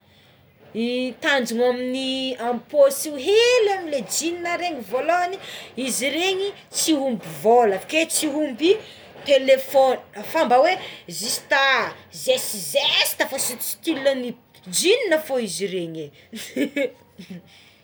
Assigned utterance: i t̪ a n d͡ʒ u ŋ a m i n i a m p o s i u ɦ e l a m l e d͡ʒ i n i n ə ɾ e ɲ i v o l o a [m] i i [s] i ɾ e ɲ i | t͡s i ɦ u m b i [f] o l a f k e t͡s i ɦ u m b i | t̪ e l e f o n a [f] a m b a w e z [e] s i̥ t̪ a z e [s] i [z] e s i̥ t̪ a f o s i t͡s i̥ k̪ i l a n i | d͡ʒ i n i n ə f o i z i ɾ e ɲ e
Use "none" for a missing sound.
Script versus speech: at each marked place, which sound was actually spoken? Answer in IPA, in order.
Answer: n, z, v, f, i, s, z

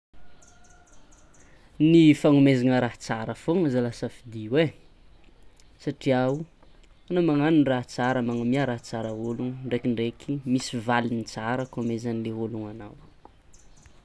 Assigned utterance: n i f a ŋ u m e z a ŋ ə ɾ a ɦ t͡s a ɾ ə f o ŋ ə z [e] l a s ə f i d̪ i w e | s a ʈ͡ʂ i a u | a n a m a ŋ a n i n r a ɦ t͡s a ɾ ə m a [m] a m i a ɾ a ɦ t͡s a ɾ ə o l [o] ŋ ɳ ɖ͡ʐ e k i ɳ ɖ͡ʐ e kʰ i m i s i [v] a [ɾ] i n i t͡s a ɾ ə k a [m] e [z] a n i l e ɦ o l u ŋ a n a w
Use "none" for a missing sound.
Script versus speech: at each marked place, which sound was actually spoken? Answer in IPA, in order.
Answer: a, ŋ, u, v, l, m, z

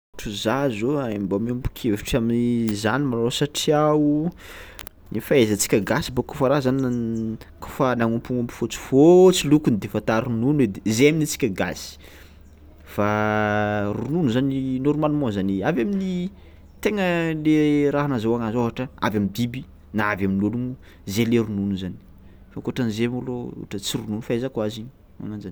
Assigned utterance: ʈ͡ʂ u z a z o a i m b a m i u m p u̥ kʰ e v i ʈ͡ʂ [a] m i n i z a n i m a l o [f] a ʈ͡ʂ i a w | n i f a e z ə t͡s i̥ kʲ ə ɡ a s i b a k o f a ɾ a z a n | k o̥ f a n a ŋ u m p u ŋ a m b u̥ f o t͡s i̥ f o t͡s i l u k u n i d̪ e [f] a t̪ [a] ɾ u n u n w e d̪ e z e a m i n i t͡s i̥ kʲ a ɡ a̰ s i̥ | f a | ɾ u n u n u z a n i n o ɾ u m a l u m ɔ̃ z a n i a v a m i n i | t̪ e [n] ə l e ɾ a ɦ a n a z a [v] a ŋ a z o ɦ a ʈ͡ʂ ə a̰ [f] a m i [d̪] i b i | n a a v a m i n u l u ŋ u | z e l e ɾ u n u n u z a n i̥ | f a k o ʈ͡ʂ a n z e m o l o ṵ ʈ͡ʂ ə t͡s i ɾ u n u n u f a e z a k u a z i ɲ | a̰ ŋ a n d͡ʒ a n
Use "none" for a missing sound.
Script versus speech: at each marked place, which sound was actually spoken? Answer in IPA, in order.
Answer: a, s, f, a, ŋ, w, v, d̪

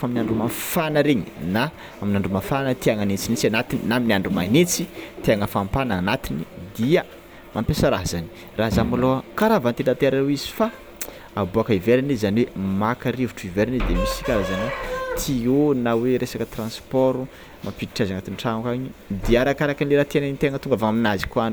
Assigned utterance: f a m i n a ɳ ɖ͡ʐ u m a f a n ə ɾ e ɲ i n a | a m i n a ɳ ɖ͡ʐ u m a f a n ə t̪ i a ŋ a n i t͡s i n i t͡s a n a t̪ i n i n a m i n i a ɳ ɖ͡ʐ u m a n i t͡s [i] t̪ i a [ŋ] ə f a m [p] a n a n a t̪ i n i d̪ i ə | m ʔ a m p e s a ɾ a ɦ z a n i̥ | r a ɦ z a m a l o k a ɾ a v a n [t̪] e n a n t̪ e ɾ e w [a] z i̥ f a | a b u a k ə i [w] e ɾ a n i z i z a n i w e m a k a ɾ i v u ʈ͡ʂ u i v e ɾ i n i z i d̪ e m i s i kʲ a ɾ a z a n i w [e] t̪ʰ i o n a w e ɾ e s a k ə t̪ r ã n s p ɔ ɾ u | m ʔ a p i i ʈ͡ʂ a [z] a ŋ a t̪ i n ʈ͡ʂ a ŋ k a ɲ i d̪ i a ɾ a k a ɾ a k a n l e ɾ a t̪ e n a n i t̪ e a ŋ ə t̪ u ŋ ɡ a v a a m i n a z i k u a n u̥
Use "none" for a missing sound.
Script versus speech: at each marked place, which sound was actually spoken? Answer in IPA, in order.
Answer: i, ŋ, p, t̪, i, v, e, z

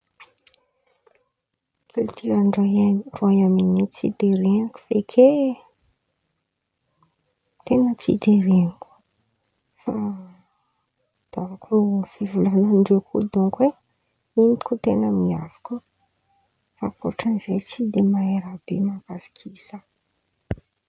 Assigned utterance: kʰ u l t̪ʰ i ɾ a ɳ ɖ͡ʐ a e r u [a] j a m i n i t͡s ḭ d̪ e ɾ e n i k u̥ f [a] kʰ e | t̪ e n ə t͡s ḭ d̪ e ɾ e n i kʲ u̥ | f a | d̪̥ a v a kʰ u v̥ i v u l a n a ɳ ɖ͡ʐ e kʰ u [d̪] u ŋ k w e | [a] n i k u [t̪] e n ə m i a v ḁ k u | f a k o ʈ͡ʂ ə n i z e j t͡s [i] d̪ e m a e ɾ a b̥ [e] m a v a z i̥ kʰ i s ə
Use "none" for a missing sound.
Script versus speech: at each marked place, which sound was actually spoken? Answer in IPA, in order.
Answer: a, e, d̪, i, t̪, i, e

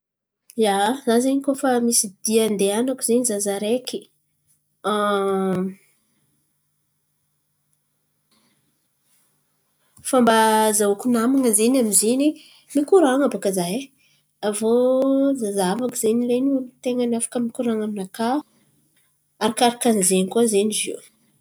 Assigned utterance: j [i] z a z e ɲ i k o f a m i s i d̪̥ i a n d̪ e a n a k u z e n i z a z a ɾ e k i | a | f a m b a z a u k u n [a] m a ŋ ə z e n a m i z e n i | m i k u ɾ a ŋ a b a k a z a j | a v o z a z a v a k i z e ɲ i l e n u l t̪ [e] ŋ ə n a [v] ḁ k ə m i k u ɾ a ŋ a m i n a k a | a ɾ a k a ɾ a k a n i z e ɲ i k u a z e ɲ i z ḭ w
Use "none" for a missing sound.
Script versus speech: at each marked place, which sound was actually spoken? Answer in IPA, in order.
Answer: a, a, e, f

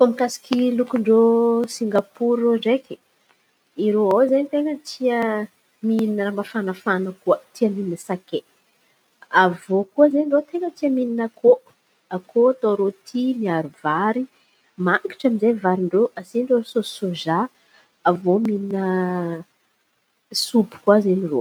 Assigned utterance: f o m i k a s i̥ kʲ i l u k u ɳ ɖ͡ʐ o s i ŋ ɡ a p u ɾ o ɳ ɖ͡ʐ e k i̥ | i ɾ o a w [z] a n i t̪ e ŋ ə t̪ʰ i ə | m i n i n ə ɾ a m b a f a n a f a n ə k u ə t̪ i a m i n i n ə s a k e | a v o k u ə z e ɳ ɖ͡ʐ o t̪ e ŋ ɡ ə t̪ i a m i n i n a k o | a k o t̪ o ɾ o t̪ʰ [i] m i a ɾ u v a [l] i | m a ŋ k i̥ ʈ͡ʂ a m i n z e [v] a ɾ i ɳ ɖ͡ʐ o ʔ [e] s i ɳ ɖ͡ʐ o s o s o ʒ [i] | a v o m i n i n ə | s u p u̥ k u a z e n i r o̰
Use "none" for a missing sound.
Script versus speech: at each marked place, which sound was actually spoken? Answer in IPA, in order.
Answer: z, i, ɾ, v, a, a

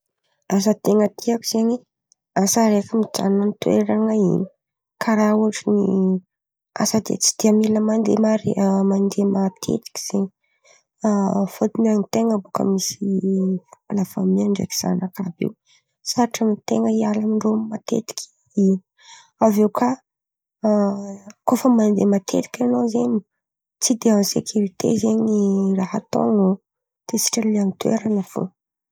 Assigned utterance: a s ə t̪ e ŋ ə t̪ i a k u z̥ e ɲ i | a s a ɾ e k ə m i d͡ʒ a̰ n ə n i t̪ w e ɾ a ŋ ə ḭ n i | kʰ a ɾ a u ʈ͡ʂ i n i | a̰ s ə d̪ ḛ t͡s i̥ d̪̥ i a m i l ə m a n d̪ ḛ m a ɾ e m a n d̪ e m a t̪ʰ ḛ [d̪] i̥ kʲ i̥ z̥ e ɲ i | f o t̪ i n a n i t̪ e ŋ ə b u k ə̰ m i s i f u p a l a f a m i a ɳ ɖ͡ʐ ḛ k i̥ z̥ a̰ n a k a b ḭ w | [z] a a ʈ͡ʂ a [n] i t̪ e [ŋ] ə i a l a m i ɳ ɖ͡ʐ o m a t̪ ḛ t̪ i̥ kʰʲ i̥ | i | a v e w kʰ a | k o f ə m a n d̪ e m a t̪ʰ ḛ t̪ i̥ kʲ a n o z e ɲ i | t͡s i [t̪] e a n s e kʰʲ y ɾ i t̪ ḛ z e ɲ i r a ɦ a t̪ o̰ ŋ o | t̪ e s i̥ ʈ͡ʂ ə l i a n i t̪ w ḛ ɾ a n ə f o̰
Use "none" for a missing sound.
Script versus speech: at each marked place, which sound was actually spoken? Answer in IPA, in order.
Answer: t̪, s, m, ŋ, d̪

